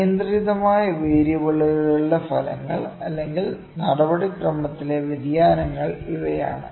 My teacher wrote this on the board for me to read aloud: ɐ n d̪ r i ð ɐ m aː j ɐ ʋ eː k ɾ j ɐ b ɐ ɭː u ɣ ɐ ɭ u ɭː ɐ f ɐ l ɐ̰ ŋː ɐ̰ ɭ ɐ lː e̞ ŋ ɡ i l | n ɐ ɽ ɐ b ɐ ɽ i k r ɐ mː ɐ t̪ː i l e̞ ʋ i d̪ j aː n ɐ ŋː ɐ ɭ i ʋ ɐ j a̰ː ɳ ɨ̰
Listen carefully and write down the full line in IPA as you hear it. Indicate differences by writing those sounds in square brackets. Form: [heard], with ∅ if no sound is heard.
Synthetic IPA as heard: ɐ n d̪ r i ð ɐ m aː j ɐ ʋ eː [∅] ɾ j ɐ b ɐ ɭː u ɣ ɐ ɭ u ɭː ɐ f ɐ l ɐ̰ ŋː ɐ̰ ɭ ɐ lː e̞ ŋ ɡ i l | n ɐ ɽ ɐ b ɐ ɽ i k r ɐ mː ɐ t̪ː i l e̞ ʋ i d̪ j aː n ɐ ŋː ɐ ɭ i ʋ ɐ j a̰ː ɳ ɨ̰